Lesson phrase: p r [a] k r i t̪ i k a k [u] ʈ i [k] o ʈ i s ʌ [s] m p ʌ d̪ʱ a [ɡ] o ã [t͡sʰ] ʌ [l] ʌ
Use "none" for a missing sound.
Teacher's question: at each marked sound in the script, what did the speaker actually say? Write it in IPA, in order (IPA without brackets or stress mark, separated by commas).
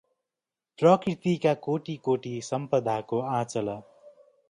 ʌ, o, k, none, k, t͡s, l